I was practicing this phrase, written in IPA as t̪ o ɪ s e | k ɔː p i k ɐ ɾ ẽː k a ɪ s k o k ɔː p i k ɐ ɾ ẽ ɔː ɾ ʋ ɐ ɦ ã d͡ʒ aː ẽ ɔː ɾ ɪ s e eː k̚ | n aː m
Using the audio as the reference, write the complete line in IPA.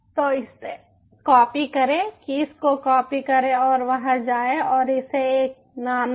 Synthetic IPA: t̪ o ɪ s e | k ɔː p i k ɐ ɾ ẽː k i ɪ s k o k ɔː p i k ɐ ɾ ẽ ɔː ɾ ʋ ɐ ɦ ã d͡ʒ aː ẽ ɔː ɾ ɪ s e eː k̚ | n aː m

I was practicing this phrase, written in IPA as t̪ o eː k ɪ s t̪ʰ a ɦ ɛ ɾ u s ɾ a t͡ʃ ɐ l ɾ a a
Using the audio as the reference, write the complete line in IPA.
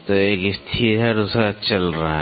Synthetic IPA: t̪ o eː k ɪ s t̪ʰ i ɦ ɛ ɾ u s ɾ a t͡ʃ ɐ l ɾ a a

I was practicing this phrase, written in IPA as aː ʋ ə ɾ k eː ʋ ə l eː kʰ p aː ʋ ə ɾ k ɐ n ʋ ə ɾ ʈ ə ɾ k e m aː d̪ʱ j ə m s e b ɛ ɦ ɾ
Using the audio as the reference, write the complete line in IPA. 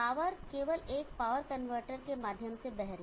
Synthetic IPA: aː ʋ ə ɾ k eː ʋ ə l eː k p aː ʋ ə ɾ k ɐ n ʋ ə ɾ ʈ ə ɾ k e m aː d̪ʱ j ə m s e b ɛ ɦ ɾ

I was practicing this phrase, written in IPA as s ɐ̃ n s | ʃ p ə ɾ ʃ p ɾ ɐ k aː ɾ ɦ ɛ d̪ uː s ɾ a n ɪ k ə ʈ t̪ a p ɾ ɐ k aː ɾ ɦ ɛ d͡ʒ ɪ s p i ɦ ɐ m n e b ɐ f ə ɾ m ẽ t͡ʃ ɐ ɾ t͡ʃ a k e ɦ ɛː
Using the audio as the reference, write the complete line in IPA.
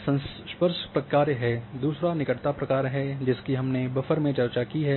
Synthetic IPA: s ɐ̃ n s | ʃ p ə ɾ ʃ p ɾ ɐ k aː ɾ ɦ ɛ d̪ uː s ɾ a n ɪ k ə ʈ t̪ a p ɾ ɐ k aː ɾ ɦ ɛ d͡ʒ ɪ s k i ɦ ɐ m n e b ɐ f ə ɾ m ẽ t͡ʃ ɐ ɾ t͡ʃ a k i ɦ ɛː

